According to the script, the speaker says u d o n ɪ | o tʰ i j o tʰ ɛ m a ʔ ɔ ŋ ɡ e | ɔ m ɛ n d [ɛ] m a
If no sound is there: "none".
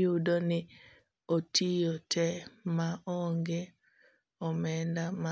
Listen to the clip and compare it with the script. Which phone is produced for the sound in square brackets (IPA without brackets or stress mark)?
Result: a